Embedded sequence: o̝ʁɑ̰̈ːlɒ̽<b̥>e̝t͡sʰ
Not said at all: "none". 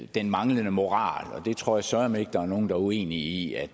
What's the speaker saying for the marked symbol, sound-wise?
d̥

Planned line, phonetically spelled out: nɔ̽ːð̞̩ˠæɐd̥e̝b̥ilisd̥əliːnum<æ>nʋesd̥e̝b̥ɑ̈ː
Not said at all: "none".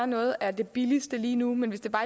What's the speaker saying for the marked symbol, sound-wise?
e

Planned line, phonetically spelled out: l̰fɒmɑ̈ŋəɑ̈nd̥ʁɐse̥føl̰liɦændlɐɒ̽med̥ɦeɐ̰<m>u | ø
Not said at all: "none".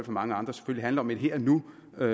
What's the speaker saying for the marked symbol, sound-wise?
n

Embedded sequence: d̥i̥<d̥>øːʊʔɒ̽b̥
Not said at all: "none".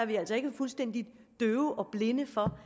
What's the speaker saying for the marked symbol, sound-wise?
d̥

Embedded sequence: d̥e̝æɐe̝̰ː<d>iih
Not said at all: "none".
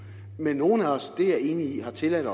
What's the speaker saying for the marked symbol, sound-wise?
n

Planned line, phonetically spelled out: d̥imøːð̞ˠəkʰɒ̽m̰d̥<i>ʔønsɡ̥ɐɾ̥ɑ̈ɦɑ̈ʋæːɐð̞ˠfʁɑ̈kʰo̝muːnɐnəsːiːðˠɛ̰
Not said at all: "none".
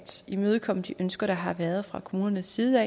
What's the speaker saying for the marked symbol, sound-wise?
i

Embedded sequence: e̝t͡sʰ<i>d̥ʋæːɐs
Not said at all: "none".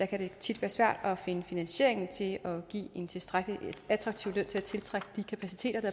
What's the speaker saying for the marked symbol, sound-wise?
i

